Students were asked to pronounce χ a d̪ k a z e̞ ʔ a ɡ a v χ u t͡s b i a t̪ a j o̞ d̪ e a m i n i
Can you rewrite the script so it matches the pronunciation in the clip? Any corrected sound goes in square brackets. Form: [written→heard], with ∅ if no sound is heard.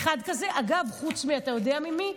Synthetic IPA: χ a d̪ k a z e̞ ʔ a ɡ a v χ u t͡s [b→m] i a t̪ a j o̞ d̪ e a m i [n→m] i